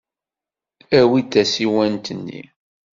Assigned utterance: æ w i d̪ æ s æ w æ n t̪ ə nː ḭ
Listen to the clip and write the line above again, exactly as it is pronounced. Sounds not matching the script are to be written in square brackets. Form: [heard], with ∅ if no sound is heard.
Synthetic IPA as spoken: æ w i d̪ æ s [i] w æ n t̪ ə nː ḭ